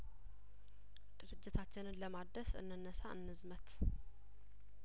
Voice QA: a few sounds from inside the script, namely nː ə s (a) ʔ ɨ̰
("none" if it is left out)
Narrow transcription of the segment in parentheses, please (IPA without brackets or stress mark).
a